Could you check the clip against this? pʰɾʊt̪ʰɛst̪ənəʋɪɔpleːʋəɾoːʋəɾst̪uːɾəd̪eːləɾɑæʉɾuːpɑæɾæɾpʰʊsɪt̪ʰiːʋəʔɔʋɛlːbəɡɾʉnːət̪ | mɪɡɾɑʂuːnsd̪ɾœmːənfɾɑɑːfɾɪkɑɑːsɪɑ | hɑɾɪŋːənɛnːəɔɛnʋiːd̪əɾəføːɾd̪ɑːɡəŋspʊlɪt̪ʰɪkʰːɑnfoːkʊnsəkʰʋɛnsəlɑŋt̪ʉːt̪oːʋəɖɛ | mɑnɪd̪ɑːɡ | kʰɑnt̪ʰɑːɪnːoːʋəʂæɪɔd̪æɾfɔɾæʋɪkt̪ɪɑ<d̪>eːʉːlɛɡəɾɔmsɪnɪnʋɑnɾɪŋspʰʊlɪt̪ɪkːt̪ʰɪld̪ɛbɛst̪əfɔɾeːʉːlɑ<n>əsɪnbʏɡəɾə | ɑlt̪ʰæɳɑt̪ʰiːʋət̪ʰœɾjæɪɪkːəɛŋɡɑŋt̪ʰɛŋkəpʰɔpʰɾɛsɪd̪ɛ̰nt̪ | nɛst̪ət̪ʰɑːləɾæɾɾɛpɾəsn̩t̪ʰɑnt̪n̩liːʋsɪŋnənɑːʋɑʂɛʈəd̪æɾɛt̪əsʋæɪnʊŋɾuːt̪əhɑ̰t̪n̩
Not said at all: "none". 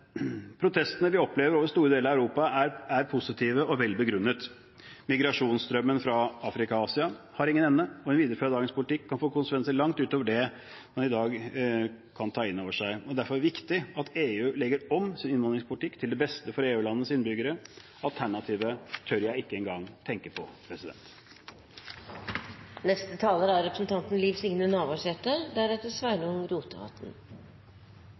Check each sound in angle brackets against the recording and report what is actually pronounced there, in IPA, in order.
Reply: t̪, nː

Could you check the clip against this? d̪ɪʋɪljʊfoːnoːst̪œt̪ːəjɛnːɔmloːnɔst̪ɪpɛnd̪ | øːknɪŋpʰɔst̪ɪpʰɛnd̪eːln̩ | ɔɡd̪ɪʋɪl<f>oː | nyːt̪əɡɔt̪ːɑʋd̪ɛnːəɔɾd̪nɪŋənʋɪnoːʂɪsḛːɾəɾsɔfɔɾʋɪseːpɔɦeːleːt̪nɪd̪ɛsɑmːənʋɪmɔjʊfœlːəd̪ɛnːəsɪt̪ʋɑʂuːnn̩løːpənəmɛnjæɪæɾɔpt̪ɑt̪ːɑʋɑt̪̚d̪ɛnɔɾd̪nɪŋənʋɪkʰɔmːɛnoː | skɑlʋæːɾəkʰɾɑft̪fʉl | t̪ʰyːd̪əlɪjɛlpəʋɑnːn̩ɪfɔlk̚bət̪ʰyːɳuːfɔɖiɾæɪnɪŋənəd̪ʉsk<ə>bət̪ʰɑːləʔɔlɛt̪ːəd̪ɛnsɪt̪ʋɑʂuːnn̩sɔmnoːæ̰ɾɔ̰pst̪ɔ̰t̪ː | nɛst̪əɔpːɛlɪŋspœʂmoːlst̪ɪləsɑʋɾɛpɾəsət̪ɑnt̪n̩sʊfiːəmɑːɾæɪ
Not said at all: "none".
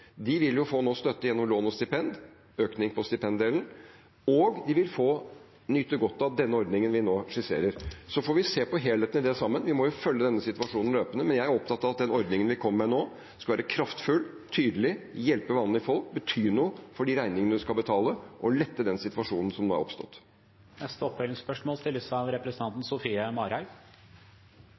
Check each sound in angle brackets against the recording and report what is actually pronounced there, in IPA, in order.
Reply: f, ɑ

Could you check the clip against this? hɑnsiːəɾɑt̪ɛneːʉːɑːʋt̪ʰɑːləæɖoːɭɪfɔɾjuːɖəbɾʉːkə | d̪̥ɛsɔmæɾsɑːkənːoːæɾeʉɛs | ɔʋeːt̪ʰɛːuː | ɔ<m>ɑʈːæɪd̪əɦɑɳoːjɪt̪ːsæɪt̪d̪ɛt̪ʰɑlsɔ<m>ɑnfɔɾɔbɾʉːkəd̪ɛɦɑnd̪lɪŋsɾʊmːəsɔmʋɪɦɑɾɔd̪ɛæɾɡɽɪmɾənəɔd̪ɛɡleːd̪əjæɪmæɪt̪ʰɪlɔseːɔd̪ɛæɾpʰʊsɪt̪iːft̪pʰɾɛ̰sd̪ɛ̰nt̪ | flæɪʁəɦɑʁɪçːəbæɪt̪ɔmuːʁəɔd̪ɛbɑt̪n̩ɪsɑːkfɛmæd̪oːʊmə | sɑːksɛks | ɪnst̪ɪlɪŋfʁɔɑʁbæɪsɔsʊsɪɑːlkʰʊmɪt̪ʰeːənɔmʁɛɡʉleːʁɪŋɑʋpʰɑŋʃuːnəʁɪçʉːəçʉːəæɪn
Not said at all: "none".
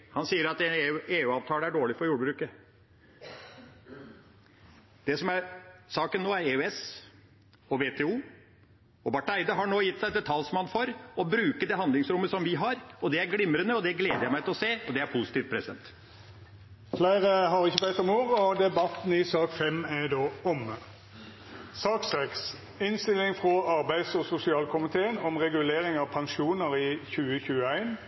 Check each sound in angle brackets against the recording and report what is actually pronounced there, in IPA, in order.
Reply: b, m

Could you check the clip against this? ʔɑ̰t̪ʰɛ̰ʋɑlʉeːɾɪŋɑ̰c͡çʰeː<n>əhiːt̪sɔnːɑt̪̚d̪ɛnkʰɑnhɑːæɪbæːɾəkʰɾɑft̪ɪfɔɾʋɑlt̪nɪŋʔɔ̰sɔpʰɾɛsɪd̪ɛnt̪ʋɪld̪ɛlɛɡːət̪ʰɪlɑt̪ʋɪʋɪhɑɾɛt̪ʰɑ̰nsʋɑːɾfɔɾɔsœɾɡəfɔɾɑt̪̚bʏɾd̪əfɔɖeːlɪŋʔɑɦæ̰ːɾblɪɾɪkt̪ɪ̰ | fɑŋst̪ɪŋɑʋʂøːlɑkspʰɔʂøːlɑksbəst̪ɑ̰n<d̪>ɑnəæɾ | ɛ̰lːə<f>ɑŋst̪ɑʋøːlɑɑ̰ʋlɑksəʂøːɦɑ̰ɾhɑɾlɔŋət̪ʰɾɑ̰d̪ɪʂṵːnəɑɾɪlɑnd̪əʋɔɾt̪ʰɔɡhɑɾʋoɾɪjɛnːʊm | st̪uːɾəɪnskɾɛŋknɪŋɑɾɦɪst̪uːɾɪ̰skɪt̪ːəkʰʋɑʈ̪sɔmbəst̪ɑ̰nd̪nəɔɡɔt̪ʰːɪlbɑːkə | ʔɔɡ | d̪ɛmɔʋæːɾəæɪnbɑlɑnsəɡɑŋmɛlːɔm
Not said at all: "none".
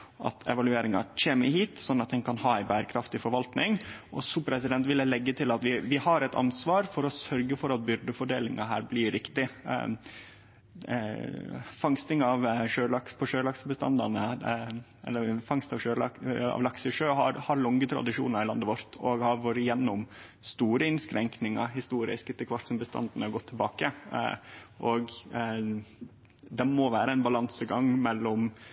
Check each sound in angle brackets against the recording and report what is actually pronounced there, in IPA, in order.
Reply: m, d̪, f

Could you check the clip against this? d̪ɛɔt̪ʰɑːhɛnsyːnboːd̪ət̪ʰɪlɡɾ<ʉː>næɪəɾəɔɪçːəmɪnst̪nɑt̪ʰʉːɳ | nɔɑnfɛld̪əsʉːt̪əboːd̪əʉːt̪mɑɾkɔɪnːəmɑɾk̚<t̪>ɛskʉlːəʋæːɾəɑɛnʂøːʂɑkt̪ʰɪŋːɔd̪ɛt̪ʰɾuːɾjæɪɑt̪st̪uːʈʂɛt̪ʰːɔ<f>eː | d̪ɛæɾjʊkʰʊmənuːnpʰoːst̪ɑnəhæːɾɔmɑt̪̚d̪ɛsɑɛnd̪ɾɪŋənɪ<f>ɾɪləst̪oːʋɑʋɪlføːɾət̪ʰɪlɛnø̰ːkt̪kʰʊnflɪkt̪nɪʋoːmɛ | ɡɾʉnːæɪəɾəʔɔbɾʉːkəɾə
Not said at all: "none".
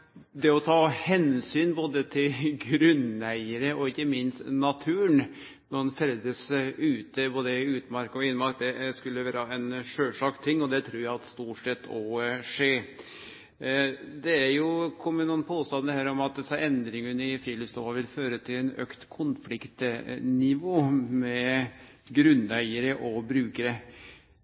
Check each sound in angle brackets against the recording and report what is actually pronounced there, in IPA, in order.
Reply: ʉ, d̪, ʂ, f

